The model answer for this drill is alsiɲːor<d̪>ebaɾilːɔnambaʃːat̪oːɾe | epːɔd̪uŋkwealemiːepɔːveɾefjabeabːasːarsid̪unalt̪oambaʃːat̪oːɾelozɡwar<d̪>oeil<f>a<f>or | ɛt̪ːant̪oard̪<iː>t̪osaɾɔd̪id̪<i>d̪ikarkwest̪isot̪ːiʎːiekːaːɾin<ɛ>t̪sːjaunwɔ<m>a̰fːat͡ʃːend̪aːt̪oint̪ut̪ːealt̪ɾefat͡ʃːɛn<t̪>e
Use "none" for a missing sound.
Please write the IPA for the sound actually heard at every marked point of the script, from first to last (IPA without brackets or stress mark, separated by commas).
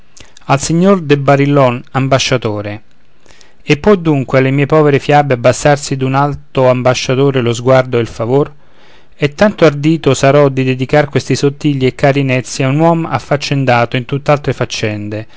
d̪, d̪, f, v, iː, e, ɛ, m, d̪